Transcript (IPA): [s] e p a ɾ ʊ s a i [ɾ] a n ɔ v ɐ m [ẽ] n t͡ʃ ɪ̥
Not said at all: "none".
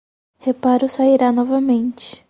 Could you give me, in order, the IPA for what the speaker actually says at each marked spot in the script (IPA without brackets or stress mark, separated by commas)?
h, ɾ, ẽ